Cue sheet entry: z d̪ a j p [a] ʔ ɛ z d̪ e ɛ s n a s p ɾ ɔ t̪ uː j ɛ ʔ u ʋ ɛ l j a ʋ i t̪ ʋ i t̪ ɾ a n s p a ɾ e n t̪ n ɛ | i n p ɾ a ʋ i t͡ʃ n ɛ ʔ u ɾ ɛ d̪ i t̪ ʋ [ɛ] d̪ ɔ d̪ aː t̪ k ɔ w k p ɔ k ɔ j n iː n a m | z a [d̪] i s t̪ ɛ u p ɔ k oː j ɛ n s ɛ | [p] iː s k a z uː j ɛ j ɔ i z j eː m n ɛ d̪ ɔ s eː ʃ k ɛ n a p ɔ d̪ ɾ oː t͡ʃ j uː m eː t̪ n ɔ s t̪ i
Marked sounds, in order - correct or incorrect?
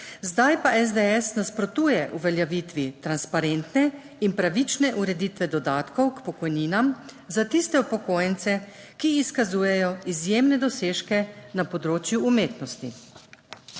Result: correct, correct, incorrect: t̪, incorrect: k

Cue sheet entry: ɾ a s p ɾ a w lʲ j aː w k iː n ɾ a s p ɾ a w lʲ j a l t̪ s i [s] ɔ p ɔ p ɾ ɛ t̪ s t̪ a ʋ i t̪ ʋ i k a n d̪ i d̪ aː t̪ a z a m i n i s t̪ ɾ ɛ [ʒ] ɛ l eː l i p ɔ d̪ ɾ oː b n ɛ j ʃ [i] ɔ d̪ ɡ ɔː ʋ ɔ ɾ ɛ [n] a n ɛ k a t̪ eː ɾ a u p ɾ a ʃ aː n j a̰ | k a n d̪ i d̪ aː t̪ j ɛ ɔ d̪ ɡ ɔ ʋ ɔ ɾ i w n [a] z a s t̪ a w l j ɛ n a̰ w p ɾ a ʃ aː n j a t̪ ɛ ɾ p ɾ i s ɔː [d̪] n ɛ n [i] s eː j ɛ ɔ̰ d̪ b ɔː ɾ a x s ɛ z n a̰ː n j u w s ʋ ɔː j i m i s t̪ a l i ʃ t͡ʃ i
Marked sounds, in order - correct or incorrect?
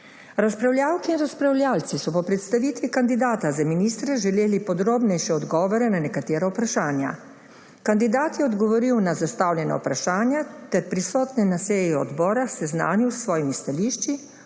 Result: correct, correct, incorrect: ɛ, correct, correct, incorrect: t̪, incorrect: a

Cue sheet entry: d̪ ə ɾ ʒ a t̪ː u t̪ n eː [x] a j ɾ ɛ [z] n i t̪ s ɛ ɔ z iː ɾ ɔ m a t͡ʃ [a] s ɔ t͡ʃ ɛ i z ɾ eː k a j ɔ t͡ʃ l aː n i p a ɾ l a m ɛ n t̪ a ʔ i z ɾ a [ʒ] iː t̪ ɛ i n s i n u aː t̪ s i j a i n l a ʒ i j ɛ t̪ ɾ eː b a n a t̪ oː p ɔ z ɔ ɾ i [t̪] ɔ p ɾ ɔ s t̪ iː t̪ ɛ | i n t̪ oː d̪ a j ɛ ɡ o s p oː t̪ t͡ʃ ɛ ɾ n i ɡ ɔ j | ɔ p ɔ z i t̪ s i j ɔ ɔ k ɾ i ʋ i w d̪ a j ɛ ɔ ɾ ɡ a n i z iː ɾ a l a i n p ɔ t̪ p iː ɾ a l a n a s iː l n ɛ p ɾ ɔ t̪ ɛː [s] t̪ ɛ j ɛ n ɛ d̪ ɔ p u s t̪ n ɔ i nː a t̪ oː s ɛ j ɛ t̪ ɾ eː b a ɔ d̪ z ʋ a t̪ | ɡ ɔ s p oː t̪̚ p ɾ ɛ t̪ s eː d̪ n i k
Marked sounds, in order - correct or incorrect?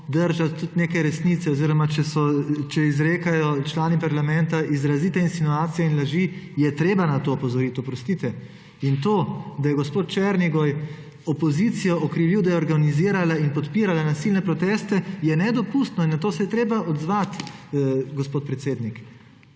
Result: incorrect: k, incorrect: s, incorrect: ɛ, incorrect: z, correct, correct

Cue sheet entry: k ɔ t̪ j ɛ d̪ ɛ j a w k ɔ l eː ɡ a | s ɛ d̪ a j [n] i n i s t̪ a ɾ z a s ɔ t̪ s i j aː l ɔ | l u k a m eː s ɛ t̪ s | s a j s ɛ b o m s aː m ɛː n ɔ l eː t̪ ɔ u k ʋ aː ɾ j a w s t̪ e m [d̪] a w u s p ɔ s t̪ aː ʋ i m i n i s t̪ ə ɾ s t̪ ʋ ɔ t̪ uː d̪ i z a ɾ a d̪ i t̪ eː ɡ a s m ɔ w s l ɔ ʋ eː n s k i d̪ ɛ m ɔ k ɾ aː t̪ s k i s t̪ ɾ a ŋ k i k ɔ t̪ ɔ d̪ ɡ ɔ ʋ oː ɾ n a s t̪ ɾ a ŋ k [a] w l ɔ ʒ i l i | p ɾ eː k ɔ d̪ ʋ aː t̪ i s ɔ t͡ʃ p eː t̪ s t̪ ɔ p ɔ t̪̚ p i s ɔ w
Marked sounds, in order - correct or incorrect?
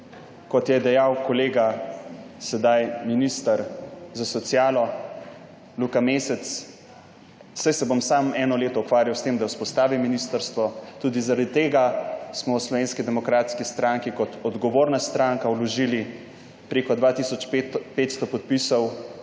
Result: incorrect: m, correct, correct

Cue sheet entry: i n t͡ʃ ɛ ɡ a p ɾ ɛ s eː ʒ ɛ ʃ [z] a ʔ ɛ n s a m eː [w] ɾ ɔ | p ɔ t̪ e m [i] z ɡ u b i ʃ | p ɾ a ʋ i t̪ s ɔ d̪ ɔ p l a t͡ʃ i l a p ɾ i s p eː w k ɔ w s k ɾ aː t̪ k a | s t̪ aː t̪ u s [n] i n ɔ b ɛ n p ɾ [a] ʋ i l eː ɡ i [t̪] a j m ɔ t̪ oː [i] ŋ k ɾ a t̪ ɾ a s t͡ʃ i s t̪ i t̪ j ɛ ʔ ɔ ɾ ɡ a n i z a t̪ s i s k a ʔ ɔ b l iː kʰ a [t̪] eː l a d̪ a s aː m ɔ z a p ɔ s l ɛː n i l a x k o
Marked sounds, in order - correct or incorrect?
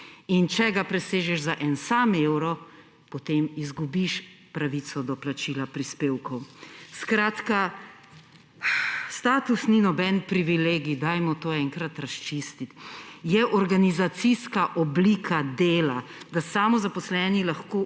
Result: correct, correct, correct, correct, incorrect: i, incorrect: d̪, incorrect: ɛ, incorrect: d̪

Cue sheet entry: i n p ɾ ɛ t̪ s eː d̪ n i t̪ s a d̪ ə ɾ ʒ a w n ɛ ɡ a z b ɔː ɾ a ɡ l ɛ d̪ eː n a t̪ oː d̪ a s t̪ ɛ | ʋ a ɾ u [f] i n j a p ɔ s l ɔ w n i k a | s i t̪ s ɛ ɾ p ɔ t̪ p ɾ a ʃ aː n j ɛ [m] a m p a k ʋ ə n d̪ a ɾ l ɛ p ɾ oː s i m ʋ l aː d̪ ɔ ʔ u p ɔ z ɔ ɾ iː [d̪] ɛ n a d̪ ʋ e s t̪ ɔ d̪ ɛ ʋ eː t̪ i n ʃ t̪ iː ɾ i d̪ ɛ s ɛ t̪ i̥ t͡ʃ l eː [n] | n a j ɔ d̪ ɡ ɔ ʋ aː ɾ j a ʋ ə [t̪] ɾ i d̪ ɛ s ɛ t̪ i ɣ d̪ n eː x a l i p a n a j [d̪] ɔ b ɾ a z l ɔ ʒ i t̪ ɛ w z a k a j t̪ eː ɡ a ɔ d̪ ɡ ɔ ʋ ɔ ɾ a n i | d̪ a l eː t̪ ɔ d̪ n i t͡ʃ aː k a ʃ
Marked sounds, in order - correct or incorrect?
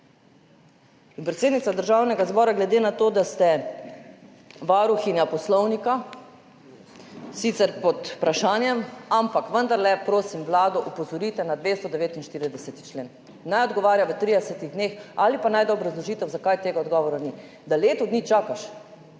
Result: incorrect: x, correct, incorrect: t̪, correct, correct, correct

